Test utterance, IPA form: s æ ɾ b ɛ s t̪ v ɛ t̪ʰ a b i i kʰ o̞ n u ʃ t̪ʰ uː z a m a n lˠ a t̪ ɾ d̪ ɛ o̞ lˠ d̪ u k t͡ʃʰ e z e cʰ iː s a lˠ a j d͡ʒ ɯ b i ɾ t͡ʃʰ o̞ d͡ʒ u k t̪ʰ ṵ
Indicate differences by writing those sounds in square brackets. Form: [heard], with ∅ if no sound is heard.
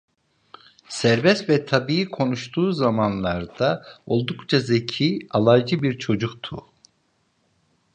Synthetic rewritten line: s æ ɾ b ɛ s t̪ v ɛ t̪ʰ a b i i kʰ o̞ n u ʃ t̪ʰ uː z a m a n lˠ a [∅] ɾ d̪ [a] o̞ lˠ d̪ u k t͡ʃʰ [a] z e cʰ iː [∅] a lˠ a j d͡ʒ ɯ b i ɾ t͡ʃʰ o̞ d͡ʒ u k t̪ʰ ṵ